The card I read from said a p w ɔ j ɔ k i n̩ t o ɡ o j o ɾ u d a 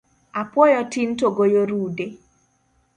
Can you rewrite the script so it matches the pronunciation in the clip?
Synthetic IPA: a p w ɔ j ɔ t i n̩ t o ɡ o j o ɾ u d e

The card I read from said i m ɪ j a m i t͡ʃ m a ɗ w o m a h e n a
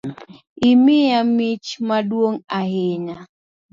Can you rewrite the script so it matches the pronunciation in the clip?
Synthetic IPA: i m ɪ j a m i t͡ʃ m a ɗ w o ŋ a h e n a

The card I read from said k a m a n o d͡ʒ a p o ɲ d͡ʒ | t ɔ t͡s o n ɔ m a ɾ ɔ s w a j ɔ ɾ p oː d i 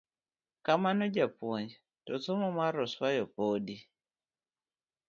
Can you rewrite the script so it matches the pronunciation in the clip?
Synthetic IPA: k a m a n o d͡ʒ a p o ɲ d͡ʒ | t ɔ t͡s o m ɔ m a ɾ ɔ s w a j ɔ p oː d i

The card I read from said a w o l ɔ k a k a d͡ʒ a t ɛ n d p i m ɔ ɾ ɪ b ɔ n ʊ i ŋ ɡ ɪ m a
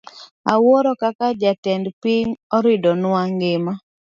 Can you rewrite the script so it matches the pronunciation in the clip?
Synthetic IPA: a w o ɾ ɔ k a k a d͡ʒ a t ɛ n d p i ɲ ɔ ɾ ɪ d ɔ n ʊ a ŋ ɡ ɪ m a

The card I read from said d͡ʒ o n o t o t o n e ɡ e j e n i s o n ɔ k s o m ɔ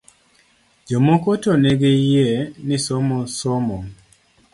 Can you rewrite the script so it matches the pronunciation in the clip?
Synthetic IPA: d͡ʒ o m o k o t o n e ɡ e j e n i s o m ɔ s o m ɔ

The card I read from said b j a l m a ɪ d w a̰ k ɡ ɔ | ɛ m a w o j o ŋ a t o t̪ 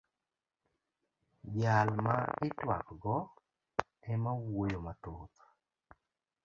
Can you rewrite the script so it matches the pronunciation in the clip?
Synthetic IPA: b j a l m a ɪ t w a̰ k ɡ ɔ | ɛ m a w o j o m a t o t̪

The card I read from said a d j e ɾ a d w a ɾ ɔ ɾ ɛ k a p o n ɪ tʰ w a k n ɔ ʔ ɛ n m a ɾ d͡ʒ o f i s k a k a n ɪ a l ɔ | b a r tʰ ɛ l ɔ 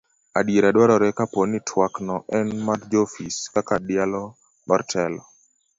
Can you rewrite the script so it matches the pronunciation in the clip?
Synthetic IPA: a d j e ɾ a d w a ɾ ɔ ɾ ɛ k a p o n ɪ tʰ w a k n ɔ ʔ ɛ n m a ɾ d͡ʒ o f i s k a k a d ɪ a l ɔ | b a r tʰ ɛ l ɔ

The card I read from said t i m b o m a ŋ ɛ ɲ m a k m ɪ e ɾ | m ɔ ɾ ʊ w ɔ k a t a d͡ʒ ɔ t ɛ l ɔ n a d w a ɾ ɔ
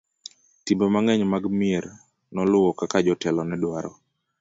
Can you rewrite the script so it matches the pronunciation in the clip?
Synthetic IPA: t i m b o m a ŋ ɛ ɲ m a ɡ m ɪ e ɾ | n ɔ l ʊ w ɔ k a k a d͡ʒ ɔ t ɛ l ɔ n ɛ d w a ɾ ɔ

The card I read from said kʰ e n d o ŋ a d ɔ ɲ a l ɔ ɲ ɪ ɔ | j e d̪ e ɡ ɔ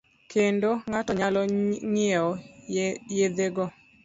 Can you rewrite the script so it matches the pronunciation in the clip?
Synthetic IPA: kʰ e n d o ŋ a t ɔ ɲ a l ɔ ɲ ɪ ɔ | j e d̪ e ɡ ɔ

